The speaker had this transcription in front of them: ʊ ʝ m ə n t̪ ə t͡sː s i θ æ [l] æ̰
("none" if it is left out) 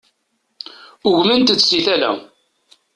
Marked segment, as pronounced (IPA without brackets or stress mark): l